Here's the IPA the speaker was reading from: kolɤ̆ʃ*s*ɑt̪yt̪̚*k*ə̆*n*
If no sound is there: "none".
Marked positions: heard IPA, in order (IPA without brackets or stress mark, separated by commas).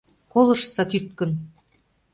s, k, n